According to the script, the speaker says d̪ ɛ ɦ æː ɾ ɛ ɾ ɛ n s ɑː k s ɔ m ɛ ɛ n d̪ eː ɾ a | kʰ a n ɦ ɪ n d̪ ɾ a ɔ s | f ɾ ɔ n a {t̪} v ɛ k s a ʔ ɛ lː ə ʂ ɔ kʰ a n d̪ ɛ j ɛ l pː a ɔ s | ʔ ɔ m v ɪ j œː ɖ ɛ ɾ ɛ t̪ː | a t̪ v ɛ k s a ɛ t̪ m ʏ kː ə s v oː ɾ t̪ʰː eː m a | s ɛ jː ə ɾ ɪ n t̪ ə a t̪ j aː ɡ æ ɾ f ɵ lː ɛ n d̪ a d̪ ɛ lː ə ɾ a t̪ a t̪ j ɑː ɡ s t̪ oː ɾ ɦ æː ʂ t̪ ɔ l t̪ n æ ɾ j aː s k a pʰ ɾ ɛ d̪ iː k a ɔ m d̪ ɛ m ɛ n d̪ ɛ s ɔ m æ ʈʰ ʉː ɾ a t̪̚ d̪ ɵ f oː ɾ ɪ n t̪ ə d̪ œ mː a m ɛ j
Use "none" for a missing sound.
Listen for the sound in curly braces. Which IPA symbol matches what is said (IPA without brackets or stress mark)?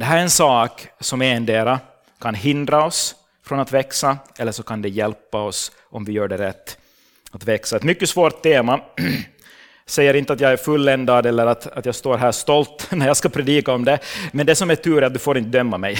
t̪